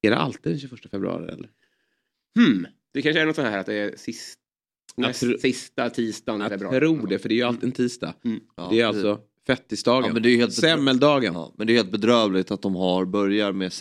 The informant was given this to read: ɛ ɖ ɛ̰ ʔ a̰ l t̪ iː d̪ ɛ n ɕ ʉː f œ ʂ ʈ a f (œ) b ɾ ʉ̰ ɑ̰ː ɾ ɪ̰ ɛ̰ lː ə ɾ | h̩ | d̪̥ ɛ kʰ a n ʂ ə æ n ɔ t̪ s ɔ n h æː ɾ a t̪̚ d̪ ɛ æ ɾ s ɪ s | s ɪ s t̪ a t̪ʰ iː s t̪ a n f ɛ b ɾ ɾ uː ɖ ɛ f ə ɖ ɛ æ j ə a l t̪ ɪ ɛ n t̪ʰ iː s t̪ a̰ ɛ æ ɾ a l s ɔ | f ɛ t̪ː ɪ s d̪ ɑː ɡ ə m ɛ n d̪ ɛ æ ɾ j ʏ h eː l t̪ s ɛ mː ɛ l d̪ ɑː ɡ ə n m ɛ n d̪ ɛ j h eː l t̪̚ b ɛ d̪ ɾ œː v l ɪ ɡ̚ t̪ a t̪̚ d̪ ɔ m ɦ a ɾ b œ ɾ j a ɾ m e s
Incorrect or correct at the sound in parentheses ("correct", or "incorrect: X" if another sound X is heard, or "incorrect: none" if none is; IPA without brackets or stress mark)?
incorrect: ɛ